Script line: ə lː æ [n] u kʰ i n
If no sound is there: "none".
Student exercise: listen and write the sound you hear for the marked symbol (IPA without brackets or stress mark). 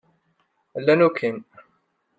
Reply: n